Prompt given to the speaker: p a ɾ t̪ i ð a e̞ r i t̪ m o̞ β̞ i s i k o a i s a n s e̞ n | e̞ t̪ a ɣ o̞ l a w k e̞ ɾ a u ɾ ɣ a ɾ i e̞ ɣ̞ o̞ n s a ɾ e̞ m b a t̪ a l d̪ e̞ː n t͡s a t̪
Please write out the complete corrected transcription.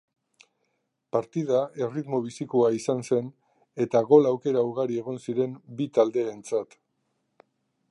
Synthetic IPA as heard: p a ɾ t̪ i ð a e̞ r i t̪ m o̞ β̞ i s i k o a i s a n s e̞ n | e̞ t̪ a ɣ o̞ l a w k e̞ ɾ a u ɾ ɣ a ɾ i e̞ ɣ̞ o̞ n s i ɾ e̞ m b i t̪ a l d̪ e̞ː n t͡s a t̪